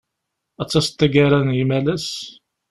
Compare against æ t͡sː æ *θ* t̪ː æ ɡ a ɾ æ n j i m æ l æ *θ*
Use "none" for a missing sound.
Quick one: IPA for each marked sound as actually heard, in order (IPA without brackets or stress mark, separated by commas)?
s, s